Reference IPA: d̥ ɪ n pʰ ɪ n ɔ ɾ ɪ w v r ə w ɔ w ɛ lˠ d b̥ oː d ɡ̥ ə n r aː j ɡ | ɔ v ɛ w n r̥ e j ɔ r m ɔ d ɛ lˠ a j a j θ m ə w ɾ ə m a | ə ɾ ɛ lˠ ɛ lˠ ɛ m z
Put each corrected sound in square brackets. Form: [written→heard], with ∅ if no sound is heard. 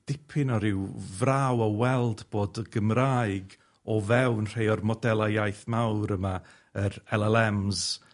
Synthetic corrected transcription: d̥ ɪ [n→∅] pʰ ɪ n ɔ ɾ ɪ w v r [ə→a] w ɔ w ɛ lˠ d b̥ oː d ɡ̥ ə [n→m] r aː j ɡ | ɔ v ɛ w n r̥ e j ɔ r m ɔ d ɛ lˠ a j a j θ m [ə→a] w ɾ ə m a | ə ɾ ɛ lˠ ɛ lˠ ɛ m z